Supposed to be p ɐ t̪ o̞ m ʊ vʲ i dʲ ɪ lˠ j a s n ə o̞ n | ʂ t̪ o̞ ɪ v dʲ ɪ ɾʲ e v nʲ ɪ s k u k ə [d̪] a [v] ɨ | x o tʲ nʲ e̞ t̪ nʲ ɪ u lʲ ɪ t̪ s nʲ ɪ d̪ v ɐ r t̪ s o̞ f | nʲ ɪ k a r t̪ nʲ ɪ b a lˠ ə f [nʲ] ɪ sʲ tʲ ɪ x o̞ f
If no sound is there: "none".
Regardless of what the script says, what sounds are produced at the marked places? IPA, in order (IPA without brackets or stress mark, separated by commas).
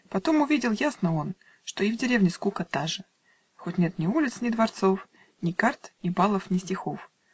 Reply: t̪, ʐ, nʲ